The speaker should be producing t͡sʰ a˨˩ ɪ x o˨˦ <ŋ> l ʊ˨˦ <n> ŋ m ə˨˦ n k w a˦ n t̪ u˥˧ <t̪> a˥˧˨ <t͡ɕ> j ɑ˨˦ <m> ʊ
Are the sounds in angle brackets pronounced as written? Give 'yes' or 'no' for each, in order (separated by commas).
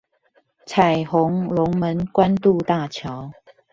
yes, no, yes, no, no